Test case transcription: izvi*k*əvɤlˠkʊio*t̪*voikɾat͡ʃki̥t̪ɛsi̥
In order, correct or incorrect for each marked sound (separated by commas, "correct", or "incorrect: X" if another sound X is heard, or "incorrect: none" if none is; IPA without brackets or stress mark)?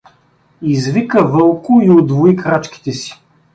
correct, incorrect: d̪